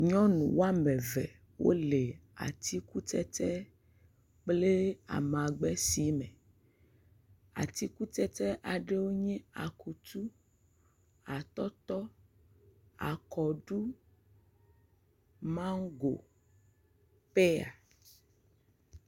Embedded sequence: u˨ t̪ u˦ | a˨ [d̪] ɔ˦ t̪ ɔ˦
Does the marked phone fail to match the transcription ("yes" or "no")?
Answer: yes